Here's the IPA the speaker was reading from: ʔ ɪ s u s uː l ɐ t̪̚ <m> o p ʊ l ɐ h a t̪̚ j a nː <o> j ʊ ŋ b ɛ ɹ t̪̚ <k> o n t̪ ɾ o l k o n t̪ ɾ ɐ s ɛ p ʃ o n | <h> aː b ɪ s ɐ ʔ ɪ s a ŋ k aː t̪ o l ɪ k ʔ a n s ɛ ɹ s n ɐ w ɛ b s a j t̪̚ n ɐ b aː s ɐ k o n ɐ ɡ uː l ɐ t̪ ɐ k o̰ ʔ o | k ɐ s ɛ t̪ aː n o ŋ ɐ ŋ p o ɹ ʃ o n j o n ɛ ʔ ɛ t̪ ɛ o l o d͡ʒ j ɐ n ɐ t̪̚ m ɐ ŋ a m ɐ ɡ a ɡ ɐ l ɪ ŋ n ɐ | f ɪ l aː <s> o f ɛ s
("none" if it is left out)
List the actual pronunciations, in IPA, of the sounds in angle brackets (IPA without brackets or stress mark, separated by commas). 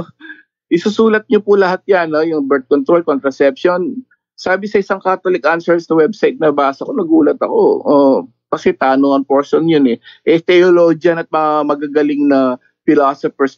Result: ɲ, o, k, s, s